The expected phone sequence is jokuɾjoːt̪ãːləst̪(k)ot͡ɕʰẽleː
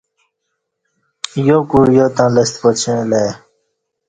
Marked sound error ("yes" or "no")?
yes